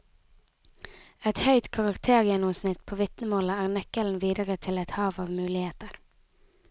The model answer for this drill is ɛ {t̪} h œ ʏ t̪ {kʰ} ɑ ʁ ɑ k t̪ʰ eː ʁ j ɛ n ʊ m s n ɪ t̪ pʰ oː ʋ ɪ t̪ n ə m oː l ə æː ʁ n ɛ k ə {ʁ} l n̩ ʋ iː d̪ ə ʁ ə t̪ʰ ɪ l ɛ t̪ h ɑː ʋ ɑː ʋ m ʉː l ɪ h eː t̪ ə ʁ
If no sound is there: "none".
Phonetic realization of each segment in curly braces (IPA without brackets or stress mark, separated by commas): t̪, kʰ, none